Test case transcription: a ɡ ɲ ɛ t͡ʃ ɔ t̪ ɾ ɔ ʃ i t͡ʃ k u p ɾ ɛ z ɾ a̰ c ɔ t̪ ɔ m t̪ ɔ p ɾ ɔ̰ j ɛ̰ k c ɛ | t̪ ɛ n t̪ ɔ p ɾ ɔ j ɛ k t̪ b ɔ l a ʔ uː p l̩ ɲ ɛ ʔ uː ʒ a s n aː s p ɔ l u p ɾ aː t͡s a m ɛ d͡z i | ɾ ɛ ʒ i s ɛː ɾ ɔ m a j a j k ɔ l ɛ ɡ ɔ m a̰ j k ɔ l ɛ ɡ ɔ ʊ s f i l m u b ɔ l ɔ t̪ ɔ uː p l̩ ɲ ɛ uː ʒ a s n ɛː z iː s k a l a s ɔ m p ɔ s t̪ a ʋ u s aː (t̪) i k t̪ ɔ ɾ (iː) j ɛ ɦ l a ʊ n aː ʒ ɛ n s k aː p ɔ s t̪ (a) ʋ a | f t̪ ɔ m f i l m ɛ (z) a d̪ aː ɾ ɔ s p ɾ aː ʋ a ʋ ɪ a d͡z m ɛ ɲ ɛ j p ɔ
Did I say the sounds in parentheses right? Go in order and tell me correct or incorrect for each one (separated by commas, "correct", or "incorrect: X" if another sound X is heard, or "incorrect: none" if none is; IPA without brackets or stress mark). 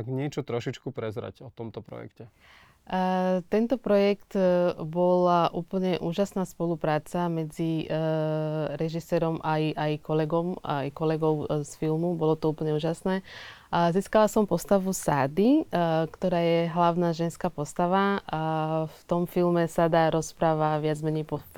incorrect: d̪, incorrect: aː, correct, incorrect: s